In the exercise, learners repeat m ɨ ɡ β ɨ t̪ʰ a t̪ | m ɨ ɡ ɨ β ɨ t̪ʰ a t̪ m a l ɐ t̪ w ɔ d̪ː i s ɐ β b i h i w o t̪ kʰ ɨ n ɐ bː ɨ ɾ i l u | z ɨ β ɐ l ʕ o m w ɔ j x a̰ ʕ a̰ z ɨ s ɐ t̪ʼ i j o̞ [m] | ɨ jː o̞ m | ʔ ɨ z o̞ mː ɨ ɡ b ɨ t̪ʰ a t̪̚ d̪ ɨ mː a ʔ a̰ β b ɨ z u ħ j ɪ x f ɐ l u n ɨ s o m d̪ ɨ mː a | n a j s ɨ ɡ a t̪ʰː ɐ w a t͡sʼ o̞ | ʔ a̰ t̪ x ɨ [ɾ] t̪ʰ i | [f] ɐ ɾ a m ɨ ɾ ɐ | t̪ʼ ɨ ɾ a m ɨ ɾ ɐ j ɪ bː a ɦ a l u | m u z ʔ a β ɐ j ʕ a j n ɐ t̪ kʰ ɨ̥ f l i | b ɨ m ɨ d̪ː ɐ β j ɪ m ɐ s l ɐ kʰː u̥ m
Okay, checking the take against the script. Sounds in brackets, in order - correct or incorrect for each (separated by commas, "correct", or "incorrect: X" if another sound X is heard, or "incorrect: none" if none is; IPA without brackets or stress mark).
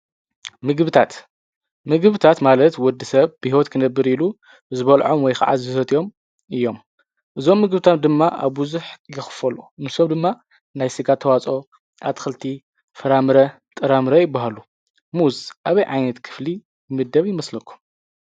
correct, incorrect: l, correct